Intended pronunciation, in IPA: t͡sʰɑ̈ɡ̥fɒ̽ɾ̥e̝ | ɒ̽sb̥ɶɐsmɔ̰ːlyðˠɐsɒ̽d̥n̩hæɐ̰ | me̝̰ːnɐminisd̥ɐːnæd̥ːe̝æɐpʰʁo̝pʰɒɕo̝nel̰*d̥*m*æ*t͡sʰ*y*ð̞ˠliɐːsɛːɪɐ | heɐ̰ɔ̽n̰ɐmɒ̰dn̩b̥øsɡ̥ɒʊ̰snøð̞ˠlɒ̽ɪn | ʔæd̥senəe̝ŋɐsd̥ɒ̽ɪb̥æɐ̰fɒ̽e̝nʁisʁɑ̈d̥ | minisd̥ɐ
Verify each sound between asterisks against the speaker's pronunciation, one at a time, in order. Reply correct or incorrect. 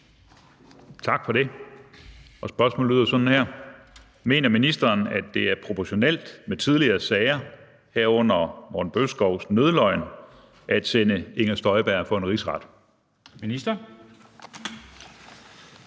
correct, incorrect: e, incorrect: i

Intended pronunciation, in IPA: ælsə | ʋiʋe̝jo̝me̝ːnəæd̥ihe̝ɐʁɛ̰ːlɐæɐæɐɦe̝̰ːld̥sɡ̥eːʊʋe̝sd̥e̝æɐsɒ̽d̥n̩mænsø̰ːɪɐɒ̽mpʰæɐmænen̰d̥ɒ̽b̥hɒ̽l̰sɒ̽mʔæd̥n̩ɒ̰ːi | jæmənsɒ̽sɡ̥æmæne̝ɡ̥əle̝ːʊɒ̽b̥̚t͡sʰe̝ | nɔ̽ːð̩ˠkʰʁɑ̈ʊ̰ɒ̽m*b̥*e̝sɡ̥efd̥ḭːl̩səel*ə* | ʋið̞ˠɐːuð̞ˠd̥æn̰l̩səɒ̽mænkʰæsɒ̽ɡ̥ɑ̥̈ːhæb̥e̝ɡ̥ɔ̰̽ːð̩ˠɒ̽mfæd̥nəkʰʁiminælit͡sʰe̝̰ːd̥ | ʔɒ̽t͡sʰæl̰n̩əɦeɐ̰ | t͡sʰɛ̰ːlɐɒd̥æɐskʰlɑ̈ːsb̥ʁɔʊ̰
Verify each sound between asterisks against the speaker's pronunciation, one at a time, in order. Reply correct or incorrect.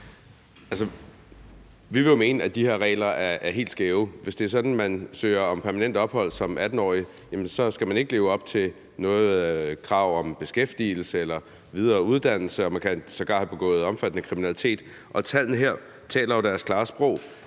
correct, incorrect: ɐ

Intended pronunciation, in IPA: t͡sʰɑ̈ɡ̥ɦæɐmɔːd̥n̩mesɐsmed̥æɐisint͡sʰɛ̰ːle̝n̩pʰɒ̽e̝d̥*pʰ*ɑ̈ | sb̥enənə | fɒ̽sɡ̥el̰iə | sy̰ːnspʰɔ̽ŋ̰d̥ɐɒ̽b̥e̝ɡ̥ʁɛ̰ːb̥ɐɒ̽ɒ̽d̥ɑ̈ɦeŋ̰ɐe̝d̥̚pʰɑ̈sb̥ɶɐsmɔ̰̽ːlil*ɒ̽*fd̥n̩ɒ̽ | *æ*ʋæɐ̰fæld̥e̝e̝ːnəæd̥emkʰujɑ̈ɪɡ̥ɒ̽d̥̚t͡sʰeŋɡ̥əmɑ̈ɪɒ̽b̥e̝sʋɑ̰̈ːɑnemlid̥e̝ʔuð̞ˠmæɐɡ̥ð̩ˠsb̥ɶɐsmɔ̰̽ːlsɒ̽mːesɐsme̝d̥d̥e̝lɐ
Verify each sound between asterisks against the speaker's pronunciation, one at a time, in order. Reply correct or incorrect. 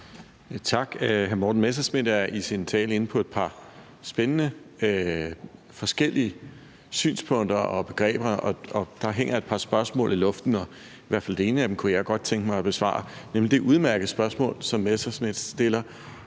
correct, incorrect: ɔ̽, incorrect: i

